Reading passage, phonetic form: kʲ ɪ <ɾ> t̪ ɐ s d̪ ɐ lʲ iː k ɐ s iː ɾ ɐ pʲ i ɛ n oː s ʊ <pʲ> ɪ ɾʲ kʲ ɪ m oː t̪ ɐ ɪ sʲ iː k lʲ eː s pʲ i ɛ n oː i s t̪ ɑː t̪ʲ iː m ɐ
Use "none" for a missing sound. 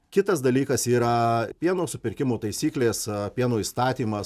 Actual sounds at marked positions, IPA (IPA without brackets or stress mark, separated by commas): none, pʲ